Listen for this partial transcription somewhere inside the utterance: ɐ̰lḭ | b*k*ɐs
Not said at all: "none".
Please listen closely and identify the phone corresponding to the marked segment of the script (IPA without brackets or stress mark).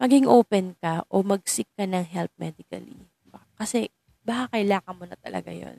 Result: k